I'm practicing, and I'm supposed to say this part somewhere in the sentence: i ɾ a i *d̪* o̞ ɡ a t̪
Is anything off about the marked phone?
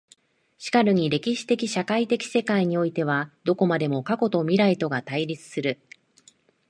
yes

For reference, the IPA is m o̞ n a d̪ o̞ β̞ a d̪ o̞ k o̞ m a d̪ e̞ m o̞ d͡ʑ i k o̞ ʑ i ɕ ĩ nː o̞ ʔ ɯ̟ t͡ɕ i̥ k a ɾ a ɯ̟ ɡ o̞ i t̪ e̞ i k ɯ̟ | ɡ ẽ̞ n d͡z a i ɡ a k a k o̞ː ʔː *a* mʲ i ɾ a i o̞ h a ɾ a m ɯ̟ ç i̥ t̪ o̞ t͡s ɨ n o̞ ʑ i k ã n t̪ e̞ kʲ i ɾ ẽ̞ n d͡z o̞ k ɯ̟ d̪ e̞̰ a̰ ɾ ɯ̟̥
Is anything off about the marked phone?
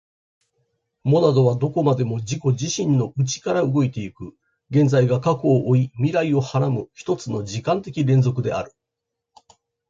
yes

